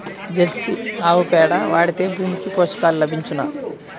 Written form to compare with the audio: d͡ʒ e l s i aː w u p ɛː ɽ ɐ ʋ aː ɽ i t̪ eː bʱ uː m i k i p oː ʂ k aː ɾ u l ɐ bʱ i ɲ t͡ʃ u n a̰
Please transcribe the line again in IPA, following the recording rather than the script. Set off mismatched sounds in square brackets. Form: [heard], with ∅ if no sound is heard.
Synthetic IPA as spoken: d͡ʒ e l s i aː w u p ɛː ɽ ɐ ʋ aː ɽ i t̪ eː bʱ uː m i k i p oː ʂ k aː [l] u l ɐ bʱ i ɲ t͡ʃ u n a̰